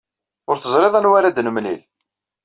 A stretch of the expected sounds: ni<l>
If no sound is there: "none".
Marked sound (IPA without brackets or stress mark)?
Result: l